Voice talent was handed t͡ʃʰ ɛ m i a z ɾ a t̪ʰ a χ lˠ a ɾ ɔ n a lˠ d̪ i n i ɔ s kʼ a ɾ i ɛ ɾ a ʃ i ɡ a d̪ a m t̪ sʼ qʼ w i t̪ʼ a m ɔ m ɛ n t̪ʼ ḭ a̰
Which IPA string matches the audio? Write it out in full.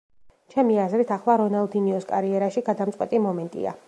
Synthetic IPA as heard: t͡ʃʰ ɛ m i a z ɾ i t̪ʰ a χ lˠ a ɾ ɔ n a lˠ d̪ i n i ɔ s kʼ a ɾ i ɛ ɾ a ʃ i ɡ a d̪ a m t̪ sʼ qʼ w ɛ t̪ʼ i m ɔ m ɛ n t̪ʼ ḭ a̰

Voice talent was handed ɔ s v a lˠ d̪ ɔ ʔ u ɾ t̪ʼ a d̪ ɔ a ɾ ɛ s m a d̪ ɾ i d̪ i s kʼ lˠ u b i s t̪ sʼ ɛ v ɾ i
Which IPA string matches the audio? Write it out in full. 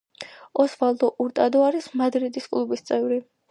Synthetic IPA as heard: ɔ s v a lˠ d̪ ɔ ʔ u ɾ t̪ʼ a d̪ ɔ a ɾ i s m a d̪ ɾ i d̪ i s kʼ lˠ u b i s t̪ sʼ ɛ v ɾ i

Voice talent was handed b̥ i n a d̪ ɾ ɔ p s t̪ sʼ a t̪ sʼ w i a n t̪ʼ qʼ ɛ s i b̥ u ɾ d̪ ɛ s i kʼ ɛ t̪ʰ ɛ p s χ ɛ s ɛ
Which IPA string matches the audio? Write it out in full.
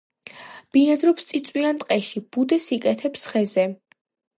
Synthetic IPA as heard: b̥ i n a d̪ ɾ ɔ p s t̪ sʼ i t̪ sʼ w i a n t̪ʼ qʼ ɛ ʃ i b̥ u d̪ ɛ s i kʼ ɛ t̪ʰ ɛ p s χ ɛ z ɛ

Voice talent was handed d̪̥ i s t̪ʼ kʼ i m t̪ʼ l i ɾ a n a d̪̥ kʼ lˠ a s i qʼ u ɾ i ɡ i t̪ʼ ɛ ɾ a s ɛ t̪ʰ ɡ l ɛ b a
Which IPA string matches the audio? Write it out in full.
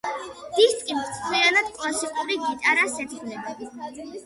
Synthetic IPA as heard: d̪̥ i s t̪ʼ kʼ i m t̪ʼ l i a n a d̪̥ kʼ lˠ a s i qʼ u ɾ i ɡ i t̪ʼ a ɾ a s ɛ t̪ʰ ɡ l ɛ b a

